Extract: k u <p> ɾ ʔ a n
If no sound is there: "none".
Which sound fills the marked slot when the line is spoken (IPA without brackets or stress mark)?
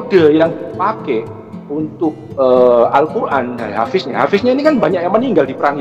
none